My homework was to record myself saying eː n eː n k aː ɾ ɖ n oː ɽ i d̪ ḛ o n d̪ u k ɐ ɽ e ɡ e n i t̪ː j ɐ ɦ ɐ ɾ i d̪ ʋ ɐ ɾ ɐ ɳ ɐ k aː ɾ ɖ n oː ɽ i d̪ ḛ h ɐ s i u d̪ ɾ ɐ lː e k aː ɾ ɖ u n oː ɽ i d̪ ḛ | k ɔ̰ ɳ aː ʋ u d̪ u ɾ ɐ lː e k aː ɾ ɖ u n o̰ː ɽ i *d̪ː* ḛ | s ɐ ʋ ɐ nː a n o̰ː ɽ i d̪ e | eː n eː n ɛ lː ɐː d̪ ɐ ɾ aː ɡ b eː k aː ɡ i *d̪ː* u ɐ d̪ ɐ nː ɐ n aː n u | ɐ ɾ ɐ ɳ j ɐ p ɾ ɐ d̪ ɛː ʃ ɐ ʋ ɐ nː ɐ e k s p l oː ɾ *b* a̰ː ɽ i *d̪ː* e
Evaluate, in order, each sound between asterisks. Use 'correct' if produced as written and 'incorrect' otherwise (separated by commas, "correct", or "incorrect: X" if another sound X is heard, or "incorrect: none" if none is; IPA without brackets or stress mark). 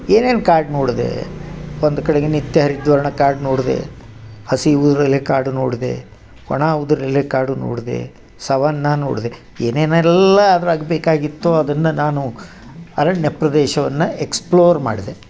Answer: incorrect: d̪, incorrect: t̪ː, incorrect: m, incorrect: d̪